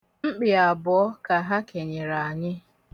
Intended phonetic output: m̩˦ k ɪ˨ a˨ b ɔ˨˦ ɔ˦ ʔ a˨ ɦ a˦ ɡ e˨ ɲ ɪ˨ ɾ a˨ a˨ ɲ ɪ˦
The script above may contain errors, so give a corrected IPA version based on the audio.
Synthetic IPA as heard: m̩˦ k͡p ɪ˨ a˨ b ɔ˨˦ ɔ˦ k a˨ ɦ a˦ k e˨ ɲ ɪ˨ ɾ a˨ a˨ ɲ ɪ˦